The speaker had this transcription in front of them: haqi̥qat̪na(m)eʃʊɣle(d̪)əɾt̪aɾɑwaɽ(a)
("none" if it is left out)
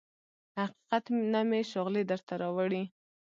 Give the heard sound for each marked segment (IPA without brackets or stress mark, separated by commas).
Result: m, d̪, i